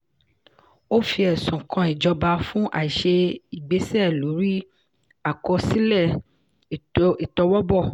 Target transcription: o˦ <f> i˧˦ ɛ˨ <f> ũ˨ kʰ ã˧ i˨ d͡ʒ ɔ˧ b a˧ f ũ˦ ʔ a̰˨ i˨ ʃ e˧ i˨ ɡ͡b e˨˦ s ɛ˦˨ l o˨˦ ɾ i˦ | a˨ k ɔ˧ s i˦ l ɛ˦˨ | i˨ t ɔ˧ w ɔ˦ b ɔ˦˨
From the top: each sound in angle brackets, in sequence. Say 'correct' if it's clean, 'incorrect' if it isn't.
correct, incorrect

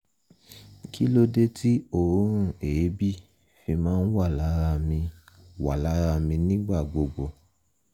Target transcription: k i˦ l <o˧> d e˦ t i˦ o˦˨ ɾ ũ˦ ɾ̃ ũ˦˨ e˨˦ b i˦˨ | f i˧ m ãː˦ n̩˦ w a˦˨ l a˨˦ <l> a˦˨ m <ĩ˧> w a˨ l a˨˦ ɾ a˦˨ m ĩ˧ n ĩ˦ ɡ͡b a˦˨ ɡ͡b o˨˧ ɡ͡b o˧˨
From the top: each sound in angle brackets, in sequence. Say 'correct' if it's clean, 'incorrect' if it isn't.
correct, incorrect, correct

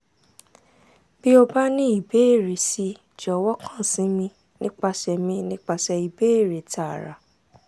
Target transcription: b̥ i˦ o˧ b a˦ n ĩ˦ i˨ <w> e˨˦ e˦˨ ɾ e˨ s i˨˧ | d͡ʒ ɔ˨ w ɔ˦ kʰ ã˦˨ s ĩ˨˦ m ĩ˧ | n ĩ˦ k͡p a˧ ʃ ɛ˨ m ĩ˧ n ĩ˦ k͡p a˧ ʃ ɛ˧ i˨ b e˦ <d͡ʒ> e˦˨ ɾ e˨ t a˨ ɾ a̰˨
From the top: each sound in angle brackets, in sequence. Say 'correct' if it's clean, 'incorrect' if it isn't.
incorrect, incorrect

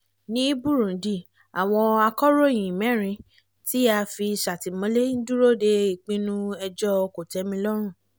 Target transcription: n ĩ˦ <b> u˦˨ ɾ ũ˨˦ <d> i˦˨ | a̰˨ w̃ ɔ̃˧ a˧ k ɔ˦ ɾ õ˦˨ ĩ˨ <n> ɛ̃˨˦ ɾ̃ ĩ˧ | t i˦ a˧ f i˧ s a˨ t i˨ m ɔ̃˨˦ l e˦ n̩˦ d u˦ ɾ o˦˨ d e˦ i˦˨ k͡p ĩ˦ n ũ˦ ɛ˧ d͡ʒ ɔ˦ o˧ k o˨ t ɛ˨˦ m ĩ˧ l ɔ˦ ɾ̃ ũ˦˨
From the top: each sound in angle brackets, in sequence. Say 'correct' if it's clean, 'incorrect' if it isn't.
correct, correct, incorrect

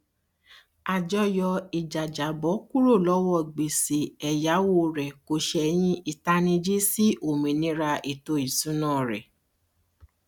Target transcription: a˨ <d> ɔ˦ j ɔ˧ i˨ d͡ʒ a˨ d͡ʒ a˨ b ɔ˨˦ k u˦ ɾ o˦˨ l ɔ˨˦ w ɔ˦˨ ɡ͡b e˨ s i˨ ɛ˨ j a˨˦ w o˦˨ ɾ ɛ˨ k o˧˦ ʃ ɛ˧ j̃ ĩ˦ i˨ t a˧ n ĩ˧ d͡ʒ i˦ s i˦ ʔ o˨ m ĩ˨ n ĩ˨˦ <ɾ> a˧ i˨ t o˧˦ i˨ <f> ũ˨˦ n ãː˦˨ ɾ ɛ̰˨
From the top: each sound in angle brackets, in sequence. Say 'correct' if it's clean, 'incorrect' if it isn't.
incorrect, correct, incorrect

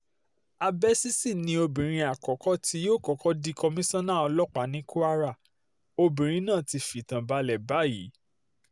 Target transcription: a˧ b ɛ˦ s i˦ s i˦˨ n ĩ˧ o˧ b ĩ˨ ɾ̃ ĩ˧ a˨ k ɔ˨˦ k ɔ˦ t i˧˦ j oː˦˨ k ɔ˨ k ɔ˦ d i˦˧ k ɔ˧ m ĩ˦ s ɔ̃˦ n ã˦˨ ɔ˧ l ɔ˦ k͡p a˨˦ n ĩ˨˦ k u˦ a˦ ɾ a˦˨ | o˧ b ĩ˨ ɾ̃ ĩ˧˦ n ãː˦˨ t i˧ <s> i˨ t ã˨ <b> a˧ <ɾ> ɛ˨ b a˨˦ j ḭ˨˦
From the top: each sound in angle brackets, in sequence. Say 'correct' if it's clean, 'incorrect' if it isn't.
incorrect, correct, incorrect

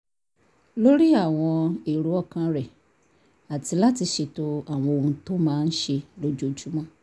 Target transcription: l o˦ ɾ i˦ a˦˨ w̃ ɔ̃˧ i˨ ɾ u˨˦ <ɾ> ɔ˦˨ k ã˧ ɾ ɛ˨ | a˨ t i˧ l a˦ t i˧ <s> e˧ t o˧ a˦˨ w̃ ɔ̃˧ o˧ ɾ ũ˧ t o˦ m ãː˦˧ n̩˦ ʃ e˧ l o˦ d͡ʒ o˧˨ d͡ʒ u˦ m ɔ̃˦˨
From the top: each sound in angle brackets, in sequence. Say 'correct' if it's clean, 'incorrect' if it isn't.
incorrect, incorrect

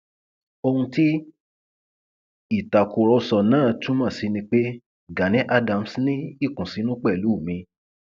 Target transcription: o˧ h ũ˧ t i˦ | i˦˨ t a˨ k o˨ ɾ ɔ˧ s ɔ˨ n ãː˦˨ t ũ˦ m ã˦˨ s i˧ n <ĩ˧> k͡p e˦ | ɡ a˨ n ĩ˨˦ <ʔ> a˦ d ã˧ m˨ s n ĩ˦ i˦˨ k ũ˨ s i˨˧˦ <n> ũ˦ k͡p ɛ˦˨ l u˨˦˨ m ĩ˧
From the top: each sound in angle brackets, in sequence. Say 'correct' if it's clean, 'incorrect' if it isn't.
correct, correct, correct

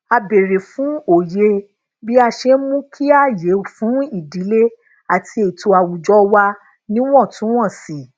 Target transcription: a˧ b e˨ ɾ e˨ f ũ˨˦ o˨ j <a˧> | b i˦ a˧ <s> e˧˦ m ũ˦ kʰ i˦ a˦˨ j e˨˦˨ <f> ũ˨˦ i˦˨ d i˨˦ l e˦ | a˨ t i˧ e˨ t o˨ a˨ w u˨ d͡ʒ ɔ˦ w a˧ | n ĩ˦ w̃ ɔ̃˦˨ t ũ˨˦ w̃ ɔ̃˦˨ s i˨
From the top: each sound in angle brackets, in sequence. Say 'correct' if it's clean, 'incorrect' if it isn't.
incorrect, incorrect, correct

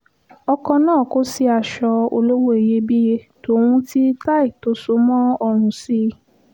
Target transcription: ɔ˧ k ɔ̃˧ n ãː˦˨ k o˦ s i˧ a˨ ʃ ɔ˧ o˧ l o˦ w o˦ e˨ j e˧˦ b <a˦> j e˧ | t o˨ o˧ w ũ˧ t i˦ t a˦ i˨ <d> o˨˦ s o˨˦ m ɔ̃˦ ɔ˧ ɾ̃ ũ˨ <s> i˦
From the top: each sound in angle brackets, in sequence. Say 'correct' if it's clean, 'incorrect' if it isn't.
incorrect, incorrect, correct

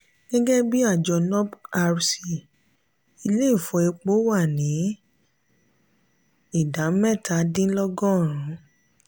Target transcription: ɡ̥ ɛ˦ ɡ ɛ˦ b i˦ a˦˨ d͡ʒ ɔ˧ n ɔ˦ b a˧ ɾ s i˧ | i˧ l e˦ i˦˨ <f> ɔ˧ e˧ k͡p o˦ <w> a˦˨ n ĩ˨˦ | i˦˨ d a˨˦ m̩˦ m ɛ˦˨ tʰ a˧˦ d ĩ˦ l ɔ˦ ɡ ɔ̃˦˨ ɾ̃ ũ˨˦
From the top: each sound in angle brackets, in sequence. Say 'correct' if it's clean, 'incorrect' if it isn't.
correct, correct

